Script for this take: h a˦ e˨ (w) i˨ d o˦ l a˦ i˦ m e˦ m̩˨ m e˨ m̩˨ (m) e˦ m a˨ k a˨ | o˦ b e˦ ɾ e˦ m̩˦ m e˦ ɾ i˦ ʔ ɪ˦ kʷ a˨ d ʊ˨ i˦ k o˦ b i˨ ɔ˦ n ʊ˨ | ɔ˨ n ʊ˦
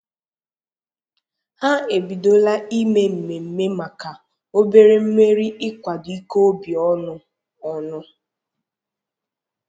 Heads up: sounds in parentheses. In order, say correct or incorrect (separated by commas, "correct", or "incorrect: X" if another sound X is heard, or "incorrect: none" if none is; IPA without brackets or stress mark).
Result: incorrect: b, correct